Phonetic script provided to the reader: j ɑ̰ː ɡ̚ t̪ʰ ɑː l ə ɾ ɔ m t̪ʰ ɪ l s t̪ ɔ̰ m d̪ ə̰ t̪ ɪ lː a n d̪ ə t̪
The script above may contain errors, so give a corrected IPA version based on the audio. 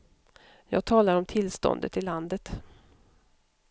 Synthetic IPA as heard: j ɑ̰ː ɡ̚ t̪ʰ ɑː l a ɾ ɔ m t̪ʰ ɪ l s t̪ ɔ̰ n d̪ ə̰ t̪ ɪ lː a n d̪ ə t̪